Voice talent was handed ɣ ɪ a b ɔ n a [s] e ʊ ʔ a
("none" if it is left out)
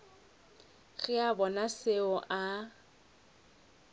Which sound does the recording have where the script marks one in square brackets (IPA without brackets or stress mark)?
s